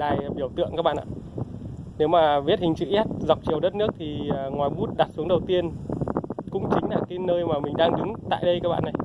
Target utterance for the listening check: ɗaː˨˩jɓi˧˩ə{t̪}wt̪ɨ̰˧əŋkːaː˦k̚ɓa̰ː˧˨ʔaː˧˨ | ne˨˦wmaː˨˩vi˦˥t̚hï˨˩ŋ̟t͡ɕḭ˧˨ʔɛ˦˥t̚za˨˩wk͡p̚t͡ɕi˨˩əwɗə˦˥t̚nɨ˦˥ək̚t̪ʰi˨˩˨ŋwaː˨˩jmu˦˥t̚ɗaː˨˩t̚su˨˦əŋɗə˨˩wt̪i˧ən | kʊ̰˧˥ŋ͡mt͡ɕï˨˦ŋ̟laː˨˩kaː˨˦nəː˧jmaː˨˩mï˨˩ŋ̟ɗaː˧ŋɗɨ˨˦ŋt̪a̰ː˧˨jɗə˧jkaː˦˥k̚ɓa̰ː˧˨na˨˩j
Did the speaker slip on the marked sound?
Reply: yes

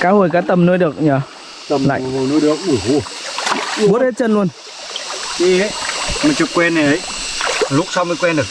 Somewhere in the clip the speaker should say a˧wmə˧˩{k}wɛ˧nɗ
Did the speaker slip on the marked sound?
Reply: no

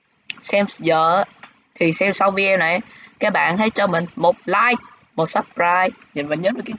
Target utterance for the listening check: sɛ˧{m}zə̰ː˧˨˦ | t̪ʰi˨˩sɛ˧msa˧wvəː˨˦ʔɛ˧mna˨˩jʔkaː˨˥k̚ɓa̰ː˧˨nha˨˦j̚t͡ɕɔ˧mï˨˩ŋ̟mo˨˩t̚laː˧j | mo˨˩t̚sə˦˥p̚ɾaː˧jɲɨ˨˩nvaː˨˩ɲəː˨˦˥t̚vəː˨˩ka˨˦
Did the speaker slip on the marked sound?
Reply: no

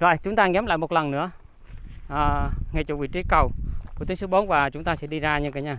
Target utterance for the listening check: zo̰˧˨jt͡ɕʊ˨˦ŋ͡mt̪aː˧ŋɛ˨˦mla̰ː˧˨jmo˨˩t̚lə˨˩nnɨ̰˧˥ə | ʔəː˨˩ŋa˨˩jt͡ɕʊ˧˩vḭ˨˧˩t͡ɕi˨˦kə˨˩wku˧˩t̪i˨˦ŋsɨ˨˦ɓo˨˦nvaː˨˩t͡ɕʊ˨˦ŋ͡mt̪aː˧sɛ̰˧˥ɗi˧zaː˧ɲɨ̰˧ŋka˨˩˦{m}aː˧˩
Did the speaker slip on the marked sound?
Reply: yes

